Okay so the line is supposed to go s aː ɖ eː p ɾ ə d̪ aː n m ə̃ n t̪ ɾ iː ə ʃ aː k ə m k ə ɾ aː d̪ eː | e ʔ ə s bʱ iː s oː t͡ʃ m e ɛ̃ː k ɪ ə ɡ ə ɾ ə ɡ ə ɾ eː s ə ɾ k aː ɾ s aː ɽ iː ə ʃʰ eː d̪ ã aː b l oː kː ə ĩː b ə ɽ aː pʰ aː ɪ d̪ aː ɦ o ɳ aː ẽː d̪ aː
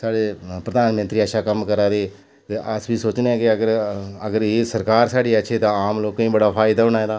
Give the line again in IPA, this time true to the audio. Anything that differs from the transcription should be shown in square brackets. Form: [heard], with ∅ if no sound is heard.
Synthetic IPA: s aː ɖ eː p ɾ ə d̪ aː n m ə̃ n t̪ ɾ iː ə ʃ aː k ə m k ə ɾ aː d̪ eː | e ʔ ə s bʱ iː s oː t͡ʃ [n] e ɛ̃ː k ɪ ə ɡ ə ɾ ə ɡ ə ɾ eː s ə ɾ k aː ɾ s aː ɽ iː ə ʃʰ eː [t̪] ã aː [m] l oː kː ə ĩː b ə ɽ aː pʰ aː ɪ d̪ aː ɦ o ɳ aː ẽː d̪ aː